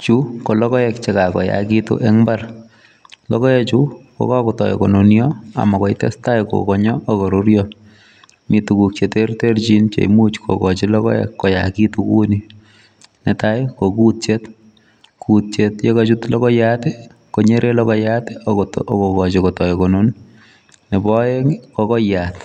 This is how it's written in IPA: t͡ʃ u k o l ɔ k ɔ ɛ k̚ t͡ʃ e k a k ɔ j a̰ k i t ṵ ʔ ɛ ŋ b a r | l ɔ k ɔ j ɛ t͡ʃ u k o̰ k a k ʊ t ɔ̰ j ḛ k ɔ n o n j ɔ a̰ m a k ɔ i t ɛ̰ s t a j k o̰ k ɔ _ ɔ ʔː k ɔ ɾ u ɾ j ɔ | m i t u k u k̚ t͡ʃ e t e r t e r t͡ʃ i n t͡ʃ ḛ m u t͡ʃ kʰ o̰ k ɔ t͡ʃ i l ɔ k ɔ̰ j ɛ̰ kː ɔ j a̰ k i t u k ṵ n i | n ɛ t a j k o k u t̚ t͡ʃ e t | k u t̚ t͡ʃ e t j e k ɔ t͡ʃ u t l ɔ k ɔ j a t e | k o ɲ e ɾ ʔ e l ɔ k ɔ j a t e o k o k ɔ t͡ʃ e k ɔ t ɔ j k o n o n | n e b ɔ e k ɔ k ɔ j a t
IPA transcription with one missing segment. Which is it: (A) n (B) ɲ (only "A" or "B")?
B